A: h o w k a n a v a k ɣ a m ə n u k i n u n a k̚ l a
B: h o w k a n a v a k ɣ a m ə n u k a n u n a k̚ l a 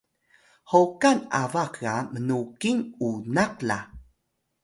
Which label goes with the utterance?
A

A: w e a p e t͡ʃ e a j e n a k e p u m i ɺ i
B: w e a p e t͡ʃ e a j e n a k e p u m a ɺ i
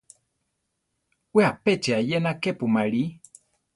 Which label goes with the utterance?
B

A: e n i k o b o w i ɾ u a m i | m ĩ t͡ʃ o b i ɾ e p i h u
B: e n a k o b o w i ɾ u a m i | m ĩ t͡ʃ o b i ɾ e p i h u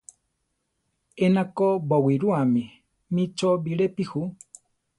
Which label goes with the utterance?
B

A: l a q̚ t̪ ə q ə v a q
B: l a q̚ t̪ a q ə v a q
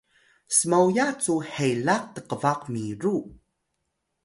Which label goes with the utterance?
A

